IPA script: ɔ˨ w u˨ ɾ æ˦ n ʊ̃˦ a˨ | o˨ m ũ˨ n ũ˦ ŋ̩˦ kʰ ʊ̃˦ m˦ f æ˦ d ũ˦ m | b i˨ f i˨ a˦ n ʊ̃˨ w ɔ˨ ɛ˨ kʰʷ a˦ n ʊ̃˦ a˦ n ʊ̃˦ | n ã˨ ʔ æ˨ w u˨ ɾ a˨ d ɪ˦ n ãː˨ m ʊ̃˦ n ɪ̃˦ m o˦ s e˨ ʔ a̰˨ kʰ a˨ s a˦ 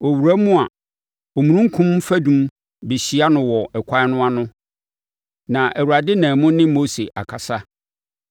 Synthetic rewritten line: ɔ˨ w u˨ ɾ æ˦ m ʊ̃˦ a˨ | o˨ m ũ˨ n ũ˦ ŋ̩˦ kʰ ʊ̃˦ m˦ f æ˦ d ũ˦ m | b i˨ ɕ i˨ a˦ n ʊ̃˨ w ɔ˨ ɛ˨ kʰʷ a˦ n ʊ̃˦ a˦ n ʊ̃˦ | n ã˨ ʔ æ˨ w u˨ ɾ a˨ d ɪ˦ n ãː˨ m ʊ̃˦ n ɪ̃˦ m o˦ s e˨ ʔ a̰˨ kʰ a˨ s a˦